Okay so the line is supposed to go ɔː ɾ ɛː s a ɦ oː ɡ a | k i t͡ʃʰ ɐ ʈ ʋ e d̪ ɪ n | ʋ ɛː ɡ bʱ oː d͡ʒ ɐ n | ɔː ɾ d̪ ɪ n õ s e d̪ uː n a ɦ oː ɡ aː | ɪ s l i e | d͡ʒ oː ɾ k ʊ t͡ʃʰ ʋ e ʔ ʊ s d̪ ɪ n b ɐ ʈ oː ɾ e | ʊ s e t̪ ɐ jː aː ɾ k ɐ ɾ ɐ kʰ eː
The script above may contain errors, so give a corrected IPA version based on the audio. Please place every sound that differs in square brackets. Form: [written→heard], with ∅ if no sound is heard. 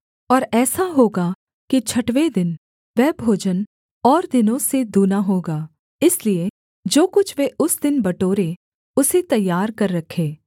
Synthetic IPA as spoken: ɔː ɾ ɛː s a ɦ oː ɡ a | k i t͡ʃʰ ɐ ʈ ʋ e d̪ ɪ n | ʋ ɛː [ɡ→∅] bʱ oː d͡ʒ [ɐ→ə] n | ɔː ɾ d̪ ɪ n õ s e d̪ uː n a ɦ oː ɡ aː | ɪ s l i e | d͡ʒ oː [ɾ→∅] k ʊ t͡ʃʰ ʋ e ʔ ʊ s d̪ ɪ n b ɐ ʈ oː ɾ e | ʊ s e t̪ ɐ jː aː ɾ k ɐ [ɾ→ɾː] ɐ kʰ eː